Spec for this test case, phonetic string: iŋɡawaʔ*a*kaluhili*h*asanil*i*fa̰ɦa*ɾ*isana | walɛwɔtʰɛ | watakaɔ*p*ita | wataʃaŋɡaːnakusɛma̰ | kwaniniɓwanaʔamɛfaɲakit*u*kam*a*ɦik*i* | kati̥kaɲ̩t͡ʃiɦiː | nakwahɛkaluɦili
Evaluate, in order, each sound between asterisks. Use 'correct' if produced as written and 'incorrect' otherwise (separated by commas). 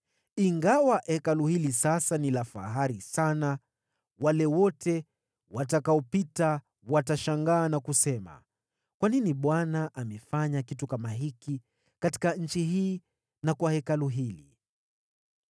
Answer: incorrect, incorrect, incorrect, correct, correct, correct, correct, correct